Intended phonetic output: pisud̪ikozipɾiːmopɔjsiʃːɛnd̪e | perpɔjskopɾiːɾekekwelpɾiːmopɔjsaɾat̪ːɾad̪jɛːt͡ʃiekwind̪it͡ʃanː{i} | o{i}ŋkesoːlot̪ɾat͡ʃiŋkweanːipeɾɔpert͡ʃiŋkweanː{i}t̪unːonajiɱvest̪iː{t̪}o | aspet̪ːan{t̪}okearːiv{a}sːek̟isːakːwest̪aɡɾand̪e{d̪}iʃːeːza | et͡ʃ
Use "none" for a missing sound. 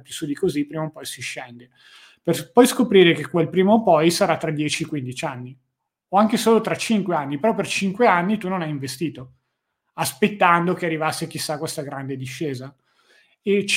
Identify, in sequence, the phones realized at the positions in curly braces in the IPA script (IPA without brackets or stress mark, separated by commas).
i, a, i, t̪, d̪, a, d̪